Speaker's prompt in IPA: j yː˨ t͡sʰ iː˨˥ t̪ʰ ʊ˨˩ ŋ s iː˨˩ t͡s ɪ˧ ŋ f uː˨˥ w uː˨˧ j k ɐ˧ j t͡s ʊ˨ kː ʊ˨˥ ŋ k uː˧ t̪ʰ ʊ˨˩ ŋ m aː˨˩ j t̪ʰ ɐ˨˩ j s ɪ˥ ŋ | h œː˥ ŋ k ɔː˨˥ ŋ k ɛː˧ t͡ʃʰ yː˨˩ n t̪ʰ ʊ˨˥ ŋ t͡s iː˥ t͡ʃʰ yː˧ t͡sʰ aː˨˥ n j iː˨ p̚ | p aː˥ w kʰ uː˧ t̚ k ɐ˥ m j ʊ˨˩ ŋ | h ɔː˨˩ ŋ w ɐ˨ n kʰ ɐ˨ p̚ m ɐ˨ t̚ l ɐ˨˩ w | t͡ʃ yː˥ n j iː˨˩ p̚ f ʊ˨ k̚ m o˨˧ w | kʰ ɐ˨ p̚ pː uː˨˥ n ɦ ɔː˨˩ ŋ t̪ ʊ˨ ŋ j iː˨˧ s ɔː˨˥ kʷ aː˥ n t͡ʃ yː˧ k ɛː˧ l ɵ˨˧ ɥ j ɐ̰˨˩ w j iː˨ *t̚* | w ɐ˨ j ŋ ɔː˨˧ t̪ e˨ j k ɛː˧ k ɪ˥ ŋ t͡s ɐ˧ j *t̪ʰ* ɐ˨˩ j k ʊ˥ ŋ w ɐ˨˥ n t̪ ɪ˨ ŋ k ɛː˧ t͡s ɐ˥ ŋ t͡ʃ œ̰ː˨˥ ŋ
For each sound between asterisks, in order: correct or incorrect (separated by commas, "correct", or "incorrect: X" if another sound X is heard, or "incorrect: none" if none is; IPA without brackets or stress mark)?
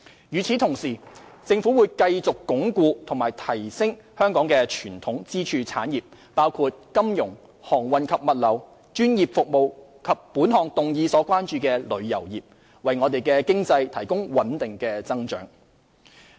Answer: incorrect: p̚, correct